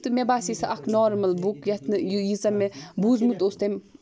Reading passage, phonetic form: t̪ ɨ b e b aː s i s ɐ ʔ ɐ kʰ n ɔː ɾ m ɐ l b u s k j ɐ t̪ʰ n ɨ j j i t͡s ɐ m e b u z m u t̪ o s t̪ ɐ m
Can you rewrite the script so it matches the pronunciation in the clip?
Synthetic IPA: t̪ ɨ m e b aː s i s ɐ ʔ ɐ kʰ n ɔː ɾ m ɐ l b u k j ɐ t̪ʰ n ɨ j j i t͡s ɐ m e b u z m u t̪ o s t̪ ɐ m